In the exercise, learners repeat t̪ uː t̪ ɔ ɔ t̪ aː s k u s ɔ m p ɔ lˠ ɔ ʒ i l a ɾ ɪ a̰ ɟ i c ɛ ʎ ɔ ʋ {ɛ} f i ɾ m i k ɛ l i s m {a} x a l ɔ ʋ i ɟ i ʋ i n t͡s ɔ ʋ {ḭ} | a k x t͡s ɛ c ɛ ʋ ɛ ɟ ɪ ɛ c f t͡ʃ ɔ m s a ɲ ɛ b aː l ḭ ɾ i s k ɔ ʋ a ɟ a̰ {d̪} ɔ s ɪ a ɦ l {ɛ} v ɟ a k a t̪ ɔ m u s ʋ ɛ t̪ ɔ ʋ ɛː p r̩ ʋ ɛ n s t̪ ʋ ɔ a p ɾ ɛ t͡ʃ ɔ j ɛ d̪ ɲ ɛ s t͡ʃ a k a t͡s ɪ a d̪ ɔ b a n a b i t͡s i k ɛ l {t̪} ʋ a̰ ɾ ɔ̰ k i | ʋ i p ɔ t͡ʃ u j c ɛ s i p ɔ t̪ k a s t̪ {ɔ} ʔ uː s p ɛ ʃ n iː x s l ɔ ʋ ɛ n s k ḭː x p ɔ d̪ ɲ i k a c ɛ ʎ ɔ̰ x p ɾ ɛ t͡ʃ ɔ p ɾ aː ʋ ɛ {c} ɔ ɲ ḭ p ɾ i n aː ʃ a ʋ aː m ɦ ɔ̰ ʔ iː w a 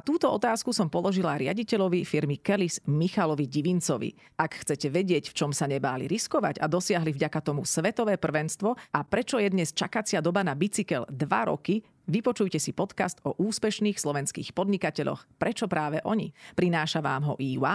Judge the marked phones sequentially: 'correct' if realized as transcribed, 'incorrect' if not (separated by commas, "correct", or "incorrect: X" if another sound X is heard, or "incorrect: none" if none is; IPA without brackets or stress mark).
incorrect: i, incorrect: i, correct, correct, incorrect: i, incorrect: d̪, correct, incorrect: ʔ